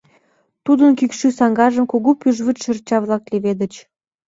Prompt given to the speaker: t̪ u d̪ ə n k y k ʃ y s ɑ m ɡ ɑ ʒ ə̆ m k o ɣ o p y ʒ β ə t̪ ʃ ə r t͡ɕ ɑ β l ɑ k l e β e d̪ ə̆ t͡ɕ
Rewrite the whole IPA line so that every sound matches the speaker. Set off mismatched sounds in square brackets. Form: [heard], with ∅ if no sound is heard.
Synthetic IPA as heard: t̪ u d̪ ə n k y k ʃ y s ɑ [ŋ] ɡ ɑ ʒ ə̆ m k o ɣ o p y ʒ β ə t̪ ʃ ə r t͡ɕ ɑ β l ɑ k l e β e d̪ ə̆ t͡ɕ